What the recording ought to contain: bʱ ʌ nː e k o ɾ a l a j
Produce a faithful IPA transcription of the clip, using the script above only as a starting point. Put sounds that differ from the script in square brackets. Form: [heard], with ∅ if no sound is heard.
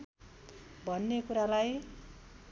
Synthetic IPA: bʱ ʌ nː e k [u] ɾ a l a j